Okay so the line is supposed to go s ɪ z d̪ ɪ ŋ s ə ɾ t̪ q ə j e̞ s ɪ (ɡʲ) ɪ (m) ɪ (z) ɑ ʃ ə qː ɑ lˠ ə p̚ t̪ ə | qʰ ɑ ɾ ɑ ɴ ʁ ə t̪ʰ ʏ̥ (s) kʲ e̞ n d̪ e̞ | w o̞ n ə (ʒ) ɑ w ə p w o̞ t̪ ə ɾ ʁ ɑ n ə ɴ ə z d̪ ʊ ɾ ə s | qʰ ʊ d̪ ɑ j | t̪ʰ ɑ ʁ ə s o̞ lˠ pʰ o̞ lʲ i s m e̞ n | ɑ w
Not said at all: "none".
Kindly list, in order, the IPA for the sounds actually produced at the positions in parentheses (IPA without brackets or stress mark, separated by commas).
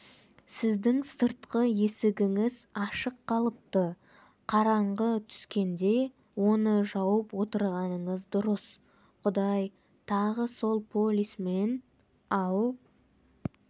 ɡʲ, ŋ, z, s, ʒ